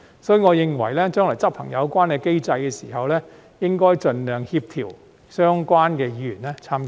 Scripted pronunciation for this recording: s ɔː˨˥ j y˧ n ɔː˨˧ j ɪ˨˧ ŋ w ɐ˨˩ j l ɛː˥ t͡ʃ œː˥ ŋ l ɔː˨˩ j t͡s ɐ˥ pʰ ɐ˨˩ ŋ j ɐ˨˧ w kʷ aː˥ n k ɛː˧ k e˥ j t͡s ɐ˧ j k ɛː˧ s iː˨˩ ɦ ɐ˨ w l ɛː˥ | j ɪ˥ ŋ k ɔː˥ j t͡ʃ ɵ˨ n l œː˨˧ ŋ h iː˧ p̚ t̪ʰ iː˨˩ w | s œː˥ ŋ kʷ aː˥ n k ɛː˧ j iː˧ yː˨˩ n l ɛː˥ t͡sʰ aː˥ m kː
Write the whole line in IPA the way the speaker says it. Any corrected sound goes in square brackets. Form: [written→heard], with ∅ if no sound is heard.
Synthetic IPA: s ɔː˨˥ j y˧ [n→ŋ] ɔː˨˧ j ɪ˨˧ ŋ w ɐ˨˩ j l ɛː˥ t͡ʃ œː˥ ŋ l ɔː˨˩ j t͡s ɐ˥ pʰ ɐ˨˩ ŋ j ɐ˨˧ w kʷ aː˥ n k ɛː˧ k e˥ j t͡s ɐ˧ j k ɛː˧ s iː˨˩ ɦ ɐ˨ w l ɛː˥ | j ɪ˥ ŋ k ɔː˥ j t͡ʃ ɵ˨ n l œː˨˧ ŋ h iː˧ p̚ t̪ʰ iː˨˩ w | s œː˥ ŋ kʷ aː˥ n k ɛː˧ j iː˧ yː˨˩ n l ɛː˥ t͡sʰ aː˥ m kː